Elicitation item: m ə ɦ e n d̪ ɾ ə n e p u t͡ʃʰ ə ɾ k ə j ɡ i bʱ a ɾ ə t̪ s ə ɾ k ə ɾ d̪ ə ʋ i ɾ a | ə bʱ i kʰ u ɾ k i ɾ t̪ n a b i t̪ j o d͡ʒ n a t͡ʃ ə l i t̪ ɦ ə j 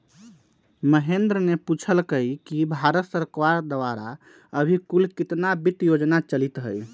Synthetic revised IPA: m ə ɦ e n d̪ ɾ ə n e p u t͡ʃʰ ə l k ə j k i bʱ a ɾ ə t̪ s ə ɾ k a ɾ d̪ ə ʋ a ɾ a | ə bʱ i k u l k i t̪ n a b i t̪ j o d͡ʒ n a t͡ʃ ə l i t̪ ɦ ə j